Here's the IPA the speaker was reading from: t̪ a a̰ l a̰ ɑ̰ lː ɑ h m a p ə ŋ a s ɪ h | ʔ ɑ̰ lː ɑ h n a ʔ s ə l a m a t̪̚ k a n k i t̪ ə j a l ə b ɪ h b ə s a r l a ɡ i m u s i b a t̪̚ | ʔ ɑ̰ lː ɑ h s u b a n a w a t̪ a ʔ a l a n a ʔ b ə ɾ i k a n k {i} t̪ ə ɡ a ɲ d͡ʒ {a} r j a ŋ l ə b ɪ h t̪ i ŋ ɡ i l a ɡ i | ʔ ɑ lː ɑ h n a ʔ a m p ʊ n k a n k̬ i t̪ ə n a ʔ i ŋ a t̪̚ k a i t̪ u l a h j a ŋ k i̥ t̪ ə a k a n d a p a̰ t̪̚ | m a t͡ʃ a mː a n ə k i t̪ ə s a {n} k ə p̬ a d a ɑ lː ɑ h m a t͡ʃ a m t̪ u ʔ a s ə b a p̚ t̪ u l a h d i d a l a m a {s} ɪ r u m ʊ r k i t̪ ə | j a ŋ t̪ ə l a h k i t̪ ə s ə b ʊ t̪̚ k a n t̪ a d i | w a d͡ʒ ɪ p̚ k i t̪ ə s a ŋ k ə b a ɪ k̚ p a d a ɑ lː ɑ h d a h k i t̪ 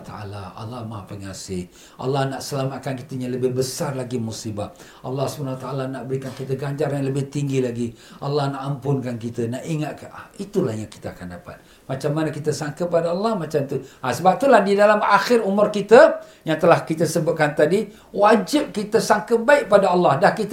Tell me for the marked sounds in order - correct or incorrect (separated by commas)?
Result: correct, correct, incorrect, incorrect